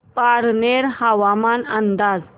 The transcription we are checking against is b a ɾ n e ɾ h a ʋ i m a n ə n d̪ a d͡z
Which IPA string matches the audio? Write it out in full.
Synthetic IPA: p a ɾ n e ɾ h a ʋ a m a n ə n d̪ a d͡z